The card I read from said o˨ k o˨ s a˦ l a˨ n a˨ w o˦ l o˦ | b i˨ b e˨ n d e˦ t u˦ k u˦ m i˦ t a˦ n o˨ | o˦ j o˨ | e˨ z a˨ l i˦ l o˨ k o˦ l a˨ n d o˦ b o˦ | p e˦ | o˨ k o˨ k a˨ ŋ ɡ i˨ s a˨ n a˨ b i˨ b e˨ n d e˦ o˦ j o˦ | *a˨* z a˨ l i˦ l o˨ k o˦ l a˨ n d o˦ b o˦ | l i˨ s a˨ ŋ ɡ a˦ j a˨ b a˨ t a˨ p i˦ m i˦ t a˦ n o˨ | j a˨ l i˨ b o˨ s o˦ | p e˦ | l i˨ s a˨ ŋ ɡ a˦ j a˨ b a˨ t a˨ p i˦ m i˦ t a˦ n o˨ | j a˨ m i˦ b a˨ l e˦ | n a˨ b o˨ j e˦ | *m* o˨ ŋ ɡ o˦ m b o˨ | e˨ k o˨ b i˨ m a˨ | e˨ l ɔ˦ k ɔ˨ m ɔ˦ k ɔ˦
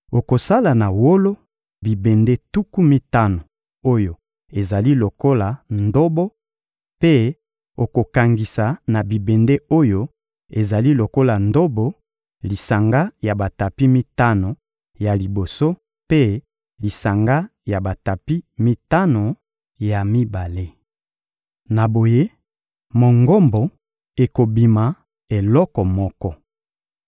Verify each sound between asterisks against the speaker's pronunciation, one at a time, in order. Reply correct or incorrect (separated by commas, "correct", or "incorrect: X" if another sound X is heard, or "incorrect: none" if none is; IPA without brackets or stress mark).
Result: incorrect: e˨, correct